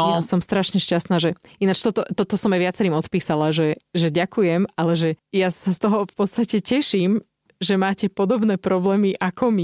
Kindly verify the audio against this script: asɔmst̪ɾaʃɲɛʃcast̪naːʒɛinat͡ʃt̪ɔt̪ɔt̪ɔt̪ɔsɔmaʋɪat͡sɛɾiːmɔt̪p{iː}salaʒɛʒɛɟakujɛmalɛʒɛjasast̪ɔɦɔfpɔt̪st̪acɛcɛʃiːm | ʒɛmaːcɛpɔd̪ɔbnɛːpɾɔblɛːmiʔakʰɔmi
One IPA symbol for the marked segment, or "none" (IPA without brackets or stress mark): iː